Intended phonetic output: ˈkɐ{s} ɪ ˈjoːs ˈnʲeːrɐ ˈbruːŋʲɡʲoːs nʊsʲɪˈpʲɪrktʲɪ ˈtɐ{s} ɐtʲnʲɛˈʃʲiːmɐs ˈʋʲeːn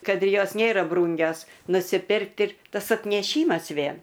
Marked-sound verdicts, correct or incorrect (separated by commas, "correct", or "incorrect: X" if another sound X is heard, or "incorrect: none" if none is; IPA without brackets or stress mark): incorrect: t, correct